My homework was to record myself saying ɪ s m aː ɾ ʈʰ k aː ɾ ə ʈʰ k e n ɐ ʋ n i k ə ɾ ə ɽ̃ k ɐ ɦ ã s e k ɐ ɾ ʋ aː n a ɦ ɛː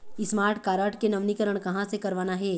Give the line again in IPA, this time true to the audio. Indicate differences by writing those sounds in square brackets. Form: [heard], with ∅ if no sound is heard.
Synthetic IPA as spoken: ɪ s m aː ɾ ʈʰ k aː ɾ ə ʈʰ k e n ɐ ʋ n i k ə ɾ ə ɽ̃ k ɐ ɦ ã s e k ɐ ɾ ʋ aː n a ɦ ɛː